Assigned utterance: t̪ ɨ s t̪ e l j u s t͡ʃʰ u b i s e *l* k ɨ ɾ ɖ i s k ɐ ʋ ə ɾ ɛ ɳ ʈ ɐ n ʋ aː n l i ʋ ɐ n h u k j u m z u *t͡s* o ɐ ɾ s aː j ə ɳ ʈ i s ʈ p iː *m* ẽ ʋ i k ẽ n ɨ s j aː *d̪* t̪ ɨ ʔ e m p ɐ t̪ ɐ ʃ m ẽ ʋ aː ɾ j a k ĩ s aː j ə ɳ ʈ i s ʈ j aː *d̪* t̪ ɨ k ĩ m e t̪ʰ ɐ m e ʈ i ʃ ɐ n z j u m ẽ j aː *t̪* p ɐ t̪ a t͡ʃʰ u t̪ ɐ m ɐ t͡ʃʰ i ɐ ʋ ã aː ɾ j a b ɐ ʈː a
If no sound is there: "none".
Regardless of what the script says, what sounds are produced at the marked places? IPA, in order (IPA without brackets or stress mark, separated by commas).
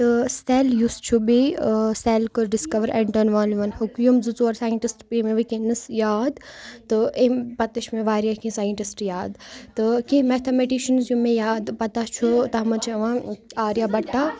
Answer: l, t͡s, m, d̪, d̪, d̪